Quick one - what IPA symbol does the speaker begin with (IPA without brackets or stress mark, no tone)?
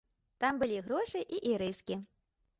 t̪